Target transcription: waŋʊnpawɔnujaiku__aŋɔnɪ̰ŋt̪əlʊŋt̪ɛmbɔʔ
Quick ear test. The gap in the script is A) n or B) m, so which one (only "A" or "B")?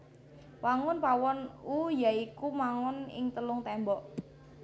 B